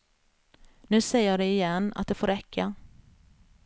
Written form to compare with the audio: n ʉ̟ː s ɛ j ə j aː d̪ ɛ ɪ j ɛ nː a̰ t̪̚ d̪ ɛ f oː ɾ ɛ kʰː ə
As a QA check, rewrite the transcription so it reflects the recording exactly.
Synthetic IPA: n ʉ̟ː s ɛ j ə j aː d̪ ɛ ɪ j ɛ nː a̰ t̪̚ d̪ ɛ f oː ɾ ɛ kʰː a